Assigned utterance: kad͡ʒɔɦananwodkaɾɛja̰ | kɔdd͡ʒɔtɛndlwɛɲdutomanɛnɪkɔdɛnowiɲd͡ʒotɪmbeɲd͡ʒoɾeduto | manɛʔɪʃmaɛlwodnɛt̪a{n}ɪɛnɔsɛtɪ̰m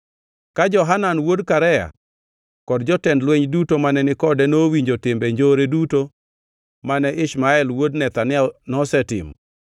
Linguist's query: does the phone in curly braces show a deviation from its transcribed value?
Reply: no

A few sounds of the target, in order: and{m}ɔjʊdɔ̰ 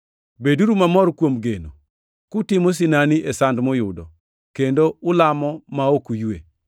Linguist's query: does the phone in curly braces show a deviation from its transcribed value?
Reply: no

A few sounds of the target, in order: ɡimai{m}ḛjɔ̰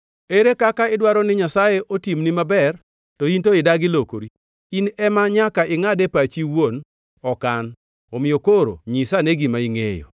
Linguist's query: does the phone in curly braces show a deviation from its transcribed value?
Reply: yes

